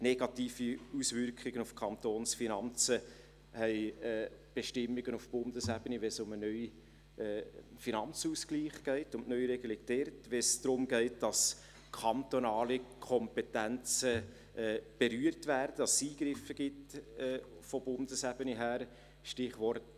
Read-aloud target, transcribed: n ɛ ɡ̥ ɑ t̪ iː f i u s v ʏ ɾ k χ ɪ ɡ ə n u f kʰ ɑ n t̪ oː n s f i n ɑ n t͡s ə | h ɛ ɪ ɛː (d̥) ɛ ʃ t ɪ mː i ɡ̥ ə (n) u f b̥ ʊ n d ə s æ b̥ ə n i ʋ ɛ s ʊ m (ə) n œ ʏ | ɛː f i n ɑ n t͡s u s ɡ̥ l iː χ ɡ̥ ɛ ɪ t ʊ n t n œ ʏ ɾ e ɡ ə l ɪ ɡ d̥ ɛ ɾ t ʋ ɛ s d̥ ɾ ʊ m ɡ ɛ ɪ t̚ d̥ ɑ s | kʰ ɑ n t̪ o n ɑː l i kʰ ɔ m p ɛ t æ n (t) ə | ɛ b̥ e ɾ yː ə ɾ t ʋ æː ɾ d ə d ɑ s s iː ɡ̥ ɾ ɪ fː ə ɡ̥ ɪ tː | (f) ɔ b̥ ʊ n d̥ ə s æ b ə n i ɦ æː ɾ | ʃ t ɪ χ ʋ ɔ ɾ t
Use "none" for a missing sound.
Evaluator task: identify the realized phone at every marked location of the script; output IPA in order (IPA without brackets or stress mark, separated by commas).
b̥, n, ə, t͡s, f